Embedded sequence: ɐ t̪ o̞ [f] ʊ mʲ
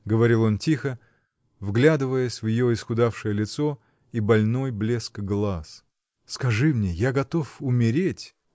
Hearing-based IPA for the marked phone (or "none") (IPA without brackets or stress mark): f